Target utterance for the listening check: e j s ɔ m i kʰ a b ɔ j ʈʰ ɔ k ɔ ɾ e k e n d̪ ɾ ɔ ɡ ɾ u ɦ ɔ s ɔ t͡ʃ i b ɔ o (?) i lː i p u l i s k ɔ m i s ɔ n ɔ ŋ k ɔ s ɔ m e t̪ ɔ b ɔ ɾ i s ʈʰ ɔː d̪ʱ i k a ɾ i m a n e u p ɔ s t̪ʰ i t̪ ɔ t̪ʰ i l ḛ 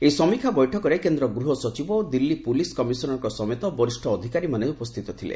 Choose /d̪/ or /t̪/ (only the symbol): d̪